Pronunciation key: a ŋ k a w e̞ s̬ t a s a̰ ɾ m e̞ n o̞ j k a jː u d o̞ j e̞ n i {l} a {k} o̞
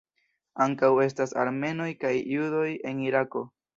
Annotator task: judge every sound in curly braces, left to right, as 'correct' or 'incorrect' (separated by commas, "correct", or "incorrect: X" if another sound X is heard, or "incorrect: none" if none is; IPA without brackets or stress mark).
incorrect: ɾ, correct